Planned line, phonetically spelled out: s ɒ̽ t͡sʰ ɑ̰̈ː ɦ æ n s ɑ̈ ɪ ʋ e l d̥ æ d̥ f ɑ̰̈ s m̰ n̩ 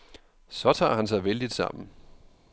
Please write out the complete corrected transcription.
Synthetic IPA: s ɒ̽ t͡sʰ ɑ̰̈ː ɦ æ n s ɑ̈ ɪ ʋ e l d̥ i d̥ s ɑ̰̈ m̰ n̩

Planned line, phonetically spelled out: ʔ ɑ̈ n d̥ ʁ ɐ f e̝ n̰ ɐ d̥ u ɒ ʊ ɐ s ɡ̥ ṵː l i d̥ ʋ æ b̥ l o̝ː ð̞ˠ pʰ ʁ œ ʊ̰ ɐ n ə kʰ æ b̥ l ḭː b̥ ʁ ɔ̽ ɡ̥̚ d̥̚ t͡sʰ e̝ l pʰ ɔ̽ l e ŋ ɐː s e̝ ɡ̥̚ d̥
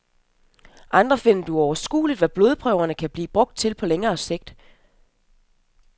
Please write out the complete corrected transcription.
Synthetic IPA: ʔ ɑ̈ n d̥ ʁ ɐ f e̝ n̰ ɐ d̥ u ɒ ʊ ɐ s ɡ̥ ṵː l i d̥ ʋ æ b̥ l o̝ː ð̞ˠ pʰ ʁ œ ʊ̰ ɐ n ə kʰ æ b̥ l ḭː b̥ ʁ ɔ̽ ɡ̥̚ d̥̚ t͡sʰ e̝ l pʰ ɒ̽ l e ŋ ɐː s e̝ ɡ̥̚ d̥

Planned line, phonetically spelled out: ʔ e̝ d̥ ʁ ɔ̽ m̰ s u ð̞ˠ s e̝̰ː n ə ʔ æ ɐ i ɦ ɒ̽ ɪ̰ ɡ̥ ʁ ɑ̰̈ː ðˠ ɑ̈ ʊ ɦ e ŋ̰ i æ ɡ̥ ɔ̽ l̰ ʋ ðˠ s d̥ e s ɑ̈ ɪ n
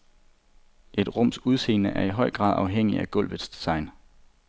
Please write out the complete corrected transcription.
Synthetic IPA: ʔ e̝ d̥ ʁ ɔ̽ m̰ s u ð̞ˠ s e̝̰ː n ə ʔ æ ɐ i ɦ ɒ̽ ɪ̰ ɡ̥ ʁ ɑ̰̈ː ðˠ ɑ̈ ʊ ɦ e ŋ̰ i æ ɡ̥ ɔ̽ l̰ ʋ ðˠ s d̥ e s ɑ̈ ɪ n

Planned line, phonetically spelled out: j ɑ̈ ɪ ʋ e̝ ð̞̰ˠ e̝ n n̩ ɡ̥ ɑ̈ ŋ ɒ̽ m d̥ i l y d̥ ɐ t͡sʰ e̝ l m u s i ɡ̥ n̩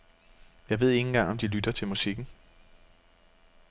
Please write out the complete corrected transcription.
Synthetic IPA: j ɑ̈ ɪ ʋ e̝ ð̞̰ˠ e̝ ŋ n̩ ɡ̥ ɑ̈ ŋ ɒ̽ m d̥ i l y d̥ ɐ t͡sʰ e̝ l m u s i ɡ̥ n̩

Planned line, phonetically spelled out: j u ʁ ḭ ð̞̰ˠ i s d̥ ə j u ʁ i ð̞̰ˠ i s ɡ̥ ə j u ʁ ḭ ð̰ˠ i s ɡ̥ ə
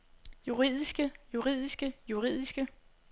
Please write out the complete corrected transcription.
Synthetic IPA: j u ʁ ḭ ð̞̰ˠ i s ɡ̥ ə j u ʁ i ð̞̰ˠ i s ɡ̥ ə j u ʁ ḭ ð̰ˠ i s ɡ̥ ə

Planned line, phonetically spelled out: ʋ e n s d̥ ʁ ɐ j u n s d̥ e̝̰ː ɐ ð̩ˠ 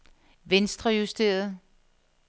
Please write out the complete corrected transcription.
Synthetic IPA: ʋ e n s d̥ ʁ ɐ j u s d̥ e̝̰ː ɐ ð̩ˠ

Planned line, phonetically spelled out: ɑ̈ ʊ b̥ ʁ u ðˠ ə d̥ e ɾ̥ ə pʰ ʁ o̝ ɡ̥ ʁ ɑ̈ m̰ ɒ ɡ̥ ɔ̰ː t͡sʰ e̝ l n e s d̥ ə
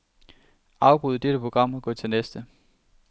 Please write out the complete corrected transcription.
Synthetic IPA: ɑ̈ ʊ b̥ ʁ u ðˠ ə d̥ e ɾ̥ ə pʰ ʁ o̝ ɡ̥ ʁ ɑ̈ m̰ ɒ ɡ̥ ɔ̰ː t͡sʰ e̝ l n e s d̥ ə

